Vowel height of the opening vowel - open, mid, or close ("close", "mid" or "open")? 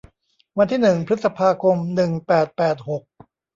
open